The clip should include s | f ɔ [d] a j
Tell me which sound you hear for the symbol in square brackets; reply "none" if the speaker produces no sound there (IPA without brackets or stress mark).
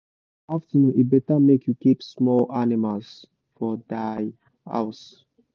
d